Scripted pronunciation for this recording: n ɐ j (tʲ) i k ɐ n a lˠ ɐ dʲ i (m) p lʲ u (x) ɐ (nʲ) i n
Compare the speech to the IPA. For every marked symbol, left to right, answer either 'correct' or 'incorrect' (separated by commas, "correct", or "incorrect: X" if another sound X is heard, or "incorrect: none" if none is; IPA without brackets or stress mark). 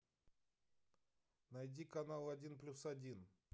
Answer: incorrect: dʲ, incorrect: n, incorrect: s, incorrect: dʲ